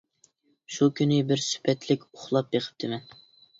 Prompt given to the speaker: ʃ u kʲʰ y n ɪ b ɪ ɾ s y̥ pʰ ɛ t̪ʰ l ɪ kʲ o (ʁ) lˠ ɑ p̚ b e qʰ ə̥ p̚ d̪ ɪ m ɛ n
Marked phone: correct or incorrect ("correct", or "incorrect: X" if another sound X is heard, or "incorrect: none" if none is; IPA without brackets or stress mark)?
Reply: incorrect: χ